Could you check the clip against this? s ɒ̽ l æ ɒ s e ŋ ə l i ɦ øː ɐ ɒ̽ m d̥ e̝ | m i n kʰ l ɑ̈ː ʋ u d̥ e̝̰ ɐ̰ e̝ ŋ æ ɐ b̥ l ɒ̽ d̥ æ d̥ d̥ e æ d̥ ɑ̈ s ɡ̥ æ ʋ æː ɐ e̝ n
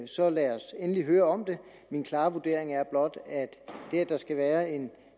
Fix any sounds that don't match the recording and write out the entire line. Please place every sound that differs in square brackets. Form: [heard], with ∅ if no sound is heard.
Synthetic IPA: s ɒ̽ l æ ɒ s e [n] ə l i ɦ øː ɐ ɒ̽ m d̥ e̝ | m i n kʰ l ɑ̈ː ʋ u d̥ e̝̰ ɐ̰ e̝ ŋ æ ɐ b̥ l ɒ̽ d̥ æ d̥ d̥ e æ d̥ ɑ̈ s ɡ̥ æ ʋ æː ɐ e̝ n

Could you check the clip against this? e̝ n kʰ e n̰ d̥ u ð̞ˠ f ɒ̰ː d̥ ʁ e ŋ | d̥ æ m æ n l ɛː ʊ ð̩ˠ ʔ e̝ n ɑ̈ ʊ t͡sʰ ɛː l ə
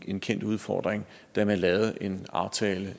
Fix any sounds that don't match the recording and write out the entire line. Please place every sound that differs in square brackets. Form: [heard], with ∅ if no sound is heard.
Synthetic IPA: e̝ n kʰ e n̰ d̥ u ð̞ˠ f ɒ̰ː d̥ ʁ e ŋ | d̥ æ m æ n l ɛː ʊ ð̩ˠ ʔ e̝ n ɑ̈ ʊ t͡sʰ ɛː l ə

